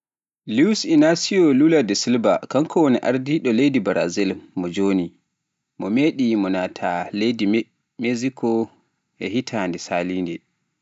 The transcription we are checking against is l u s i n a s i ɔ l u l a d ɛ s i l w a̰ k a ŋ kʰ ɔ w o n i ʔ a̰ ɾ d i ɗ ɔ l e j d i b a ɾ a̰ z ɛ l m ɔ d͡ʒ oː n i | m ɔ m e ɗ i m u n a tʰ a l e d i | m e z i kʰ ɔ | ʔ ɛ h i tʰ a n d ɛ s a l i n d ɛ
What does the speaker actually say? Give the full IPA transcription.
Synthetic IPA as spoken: l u s i n a s i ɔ l u l a d ɛ s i l b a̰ k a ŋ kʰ ɔ w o n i ʔ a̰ ɾ d i ɗ ɔ l e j d i b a ɾ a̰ z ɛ l m ɔ d͡ʒ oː n i | m ɔ m e ɗ i m ɔ n a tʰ a l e d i | m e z i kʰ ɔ | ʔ ɛ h i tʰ a n d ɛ s a l i n d ɛ